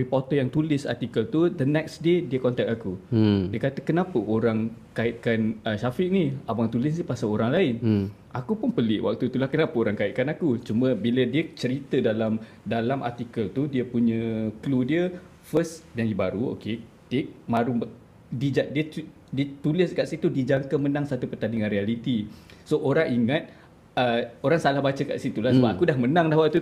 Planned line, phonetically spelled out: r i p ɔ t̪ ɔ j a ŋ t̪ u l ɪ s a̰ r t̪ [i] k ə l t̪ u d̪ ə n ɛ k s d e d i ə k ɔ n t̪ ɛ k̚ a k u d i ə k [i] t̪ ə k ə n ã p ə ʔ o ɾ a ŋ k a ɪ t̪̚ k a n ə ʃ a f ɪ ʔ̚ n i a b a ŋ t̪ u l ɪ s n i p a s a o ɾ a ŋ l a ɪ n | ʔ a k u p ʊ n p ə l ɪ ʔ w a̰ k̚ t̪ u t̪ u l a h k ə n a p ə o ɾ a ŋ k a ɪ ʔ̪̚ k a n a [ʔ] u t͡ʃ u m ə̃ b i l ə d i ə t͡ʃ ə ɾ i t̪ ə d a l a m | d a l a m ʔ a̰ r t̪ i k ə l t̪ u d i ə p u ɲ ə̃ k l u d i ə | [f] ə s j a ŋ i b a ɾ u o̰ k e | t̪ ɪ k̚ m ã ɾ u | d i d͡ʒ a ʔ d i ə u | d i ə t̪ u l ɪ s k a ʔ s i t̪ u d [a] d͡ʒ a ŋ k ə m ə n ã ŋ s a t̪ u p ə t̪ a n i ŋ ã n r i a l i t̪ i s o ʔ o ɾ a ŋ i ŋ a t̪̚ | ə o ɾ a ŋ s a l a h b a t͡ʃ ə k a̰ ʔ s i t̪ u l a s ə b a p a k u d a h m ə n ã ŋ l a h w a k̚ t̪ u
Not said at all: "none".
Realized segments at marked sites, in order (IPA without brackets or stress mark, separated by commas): i, a, k, f, i